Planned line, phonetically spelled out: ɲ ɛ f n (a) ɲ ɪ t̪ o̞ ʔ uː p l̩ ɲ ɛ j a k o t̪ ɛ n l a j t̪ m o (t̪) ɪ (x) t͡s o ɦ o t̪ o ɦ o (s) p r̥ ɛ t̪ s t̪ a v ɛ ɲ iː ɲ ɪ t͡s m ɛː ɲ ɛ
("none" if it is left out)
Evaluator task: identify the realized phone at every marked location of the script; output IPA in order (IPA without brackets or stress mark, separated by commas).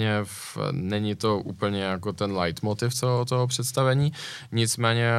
ɛ, t̪, f, none